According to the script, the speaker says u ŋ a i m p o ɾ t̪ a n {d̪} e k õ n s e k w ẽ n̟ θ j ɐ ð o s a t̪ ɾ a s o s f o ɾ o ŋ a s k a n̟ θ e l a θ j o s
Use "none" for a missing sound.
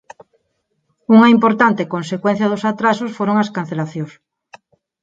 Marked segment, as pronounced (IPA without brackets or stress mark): t̪